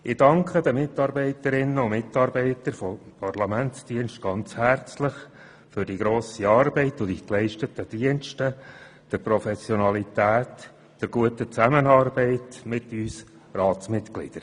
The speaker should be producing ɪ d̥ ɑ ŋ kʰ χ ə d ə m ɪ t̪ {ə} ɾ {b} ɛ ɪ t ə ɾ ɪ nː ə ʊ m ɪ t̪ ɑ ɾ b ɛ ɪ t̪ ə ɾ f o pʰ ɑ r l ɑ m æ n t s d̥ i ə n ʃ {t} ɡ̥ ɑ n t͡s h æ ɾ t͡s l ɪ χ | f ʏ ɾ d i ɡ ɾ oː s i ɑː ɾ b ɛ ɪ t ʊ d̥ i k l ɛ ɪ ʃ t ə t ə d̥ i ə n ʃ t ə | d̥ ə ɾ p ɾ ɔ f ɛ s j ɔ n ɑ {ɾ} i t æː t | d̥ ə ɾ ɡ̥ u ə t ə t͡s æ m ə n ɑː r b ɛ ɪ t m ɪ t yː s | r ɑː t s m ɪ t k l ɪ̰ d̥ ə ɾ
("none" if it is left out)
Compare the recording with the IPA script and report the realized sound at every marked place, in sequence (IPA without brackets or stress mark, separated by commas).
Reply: ɑ, b, t, l